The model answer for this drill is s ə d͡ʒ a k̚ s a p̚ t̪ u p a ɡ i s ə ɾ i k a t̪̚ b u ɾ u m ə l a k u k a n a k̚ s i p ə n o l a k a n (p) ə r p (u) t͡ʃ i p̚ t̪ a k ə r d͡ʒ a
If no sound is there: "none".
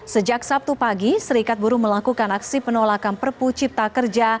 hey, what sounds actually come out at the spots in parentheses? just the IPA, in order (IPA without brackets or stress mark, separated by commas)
p, u